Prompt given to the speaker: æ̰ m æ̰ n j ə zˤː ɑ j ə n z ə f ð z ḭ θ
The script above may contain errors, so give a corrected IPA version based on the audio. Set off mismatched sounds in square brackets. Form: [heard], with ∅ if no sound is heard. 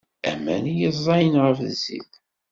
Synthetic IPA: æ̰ m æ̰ n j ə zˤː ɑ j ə n [ʁ] ə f ð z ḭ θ